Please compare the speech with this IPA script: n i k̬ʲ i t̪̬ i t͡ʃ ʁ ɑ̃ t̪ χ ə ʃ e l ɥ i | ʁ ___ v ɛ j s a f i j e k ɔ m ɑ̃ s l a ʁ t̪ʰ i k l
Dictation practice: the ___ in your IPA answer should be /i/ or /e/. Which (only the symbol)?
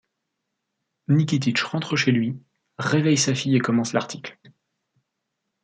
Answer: e